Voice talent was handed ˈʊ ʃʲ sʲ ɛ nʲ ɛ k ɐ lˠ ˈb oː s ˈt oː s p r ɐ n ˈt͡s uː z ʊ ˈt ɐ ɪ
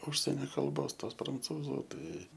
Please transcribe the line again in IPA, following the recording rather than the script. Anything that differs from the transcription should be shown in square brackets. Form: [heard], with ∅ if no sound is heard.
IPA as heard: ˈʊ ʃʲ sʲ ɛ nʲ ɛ k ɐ lˠ ˈb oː s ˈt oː s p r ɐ n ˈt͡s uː z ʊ ˈt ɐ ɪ